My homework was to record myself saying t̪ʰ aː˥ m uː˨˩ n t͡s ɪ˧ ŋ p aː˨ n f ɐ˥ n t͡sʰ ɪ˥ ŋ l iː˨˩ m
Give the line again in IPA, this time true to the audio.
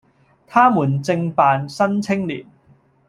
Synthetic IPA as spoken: t̪ʰ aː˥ m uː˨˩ n t͡s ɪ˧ ŋ p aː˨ n s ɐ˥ n t͡sʰ ɪ˥ ŋ l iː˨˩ n

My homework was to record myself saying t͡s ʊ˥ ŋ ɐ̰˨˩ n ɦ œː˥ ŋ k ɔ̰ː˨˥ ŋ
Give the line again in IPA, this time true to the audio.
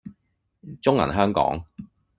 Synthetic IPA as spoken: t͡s ʊ˥ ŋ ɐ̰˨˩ n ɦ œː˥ ŋ k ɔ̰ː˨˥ ŋ

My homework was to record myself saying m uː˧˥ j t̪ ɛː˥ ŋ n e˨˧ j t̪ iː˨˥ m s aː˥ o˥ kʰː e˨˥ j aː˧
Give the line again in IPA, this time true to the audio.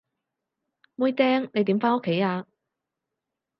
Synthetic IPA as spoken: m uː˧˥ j t̪ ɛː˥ ŋ n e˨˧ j t̪ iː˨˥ m f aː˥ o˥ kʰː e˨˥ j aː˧

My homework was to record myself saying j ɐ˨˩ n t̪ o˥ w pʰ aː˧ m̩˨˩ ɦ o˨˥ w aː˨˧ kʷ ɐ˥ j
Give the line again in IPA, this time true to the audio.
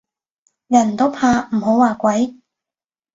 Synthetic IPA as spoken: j ɐ˨˩ n t̪ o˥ w pʰ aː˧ m̩˨˩ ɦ o˨˥ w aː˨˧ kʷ ɐ˨˥ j

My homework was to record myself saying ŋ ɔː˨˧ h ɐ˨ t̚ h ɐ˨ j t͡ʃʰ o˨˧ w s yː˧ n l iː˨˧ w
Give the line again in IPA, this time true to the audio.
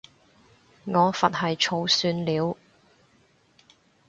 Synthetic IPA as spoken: ŋ ɔː˨˧ f ɐ˨ t̚ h ɐ˨ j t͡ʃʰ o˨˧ w s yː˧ n l iː˨˧ w

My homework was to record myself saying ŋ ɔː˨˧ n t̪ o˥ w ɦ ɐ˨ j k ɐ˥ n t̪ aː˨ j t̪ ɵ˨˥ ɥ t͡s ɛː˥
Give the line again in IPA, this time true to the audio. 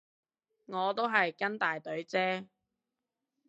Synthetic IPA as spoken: ŋ ɔː˨˧ t̪ o˥ w ɦ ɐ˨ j k ɐ˥ n t̪ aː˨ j t̪ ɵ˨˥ ɥ t͡s ɛː˥

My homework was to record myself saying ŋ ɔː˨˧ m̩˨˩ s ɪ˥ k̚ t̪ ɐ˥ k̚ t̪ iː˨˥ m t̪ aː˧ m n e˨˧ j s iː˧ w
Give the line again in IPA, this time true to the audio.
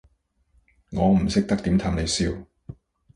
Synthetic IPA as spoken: ŋ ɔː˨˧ m̩˨˩ s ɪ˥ k̚ t̪ ɐ˥ k̚ t̪ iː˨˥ m t̪ʰ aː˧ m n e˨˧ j s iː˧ w

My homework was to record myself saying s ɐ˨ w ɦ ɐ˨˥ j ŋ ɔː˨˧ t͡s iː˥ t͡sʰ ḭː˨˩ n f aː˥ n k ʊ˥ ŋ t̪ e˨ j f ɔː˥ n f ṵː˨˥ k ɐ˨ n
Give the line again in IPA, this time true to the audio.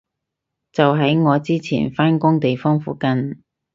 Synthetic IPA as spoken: t͡s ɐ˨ w ɦ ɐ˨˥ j ŋ ɔː˨˧ t͡s iː˥ t͡sʰ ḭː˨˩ n f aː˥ n k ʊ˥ ŋ t̪ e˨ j f ɔː˥ ŋ f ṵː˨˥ k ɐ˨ n

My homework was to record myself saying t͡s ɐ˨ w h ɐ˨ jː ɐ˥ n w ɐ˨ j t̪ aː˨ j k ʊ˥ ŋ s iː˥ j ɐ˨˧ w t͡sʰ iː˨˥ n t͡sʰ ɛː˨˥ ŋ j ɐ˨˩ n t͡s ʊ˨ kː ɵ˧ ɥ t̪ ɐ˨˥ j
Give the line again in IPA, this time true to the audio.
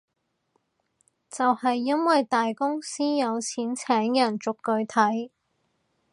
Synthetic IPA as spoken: t͡s ɐ˨ w h ɐ˨ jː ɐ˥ n w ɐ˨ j t̪ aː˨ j k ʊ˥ ŋ s iː˥ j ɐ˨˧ w t͡sʰ iː˨˥ n t͡sʰ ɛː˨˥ ŋ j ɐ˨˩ n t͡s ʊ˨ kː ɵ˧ ɥ t̪ʰ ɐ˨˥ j

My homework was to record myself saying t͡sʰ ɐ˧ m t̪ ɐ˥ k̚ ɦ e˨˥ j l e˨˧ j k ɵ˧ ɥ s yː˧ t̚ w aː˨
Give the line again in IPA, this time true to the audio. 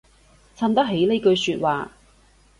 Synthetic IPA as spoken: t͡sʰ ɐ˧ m t̪ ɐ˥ k̚ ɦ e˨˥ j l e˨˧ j k ɵ˧ ɥ s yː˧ t̚ w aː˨

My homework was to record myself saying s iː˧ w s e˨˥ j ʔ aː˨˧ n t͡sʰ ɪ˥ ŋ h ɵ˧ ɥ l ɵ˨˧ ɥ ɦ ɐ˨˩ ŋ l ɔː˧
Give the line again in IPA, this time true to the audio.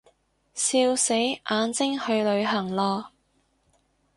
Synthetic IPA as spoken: s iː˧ w s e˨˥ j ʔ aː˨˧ n t͡s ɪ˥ ŋ h ɵ˧ ɥ l ɵ˨˧ ɥ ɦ ɐ˨˩ ŋ l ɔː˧

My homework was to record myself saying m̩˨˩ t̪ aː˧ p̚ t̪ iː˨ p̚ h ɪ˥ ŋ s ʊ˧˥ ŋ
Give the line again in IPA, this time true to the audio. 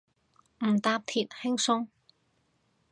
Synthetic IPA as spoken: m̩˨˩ t̪ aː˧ p̚ t̪ʰ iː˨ t̚ h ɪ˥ ŋ s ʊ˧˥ ŋ

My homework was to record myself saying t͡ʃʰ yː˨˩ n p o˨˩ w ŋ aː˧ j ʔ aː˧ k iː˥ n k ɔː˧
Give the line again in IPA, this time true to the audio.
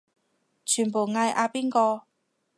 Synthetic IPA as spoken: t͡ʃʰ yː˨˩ n p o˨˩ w ŋ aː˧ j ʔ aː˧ p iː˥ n k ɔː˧

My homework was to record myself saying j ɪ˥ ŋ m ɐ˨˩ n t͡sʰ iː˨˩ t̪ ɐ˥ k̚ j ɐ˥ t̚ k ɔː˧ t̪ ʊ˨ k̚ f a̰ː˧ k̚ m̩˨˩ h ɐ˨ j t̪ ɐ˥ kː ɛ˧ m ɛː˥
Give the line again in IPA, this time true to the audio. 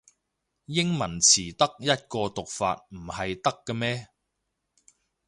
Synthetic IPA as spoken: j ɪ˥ ŋ m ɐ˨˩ n t͡sʰ iː˨˩ t̪ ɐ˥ k̚ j ɐ˥ t̚ k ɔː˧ t̪ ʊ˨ k̚ f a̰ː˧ t̚ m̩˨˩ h ɐ˨ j t̪ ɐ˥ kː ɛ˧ m ɛː˥

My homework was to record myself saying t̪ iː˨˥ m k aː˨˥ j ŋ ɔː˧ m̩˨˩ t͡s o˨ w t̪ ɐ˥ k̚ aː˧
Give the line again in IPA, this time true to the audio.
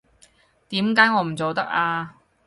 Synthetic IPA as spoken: t̪ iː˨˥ m k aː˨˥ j ŋ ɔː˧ m̩˨˩ t͡s o˨ w t̪ ɐ˥ k̚ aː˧

